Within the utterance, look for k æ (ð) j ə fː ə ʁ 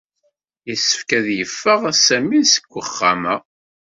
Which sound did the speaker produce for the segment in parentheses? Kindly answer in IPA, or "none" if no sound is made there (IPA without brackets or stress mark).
ð